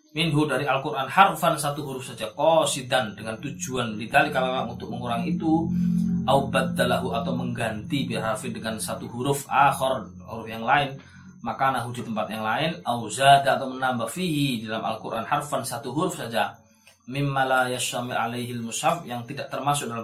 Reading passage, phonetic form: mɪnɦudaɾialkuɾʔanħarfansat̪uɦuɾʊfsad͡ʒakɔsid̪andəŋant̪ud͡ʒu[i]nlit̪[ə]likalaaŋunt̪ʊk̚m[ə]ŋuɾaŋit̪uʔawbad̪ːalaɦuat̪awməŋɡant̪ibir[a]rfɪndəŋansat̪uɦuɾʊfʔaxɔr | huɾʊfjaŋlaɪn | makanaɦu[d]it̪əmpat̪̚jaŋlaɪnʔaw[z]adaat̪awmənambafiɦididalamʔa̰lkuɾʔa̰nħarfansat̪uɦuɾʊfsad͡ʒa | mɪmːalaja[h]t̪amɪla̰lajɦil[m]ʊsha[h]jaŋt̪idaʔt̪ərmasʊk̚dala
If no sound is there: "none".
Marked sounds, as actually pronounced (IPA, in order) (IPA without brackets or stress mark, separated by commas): a, a, ə, a, d, z, ʃ, m, f